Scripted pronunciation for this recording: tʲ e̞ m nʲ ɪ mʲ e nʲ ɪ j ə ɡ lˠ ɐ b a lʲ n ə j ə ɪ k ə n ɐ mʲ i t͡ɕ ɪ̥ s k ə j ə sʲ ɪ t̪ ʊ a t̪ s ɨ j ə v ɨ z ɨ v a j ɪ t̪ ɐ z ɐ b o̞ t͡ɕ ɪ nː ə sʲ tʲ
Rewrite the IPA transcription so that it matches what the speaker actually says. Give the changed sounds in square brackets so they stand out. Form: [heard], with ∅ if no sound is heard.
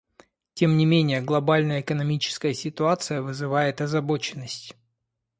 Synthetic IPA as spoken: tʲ e̞ m nʲ ɪ mʲ e nʲ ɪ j ə ɡ lˠ ɐ b a lʲ n ə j ə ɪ k ə n ɐ mʲ i t͡ɕ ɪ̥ s k ə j ə sʲ ɪ t̪ ʊ a t̪ s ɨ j ə v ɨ z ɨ v a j ɪ t̪ ɐ z ɐ b o̞ t͡ɕ ɪ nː ə sʲ tʲ